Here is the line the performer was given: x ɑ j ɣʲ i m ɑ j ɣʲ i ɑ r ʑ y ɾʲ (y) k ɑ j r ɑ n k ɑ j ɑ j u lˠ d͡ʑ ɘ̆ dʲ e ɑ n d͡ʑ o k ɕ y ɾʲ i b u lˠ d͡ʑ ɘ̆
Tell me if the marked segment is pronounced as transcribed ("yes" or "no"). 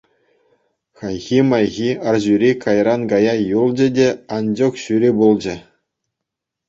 no